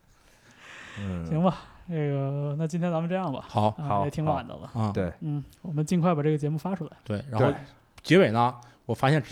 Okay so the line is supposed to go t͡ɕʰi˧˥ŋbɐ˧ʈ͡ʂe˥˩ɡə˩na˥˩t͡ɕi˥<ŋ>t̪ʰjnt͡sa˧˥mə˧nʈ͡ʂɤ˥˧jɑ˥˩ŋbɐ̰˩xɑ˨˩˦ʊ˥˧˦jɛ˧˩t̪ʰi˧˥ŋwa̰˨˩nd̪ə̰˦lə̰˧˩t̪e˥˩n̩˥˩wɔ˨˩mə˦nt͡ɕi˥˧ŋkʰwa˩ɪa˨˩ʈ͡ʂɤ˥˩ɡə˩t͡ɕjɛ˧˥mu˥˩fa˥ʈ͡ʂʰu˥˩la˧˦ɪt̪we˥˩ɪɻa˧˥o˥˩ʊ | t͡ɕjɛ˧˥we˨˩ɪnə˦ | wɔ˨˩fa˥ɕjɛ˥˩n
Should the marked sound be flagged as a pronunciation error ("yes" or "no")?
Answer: yes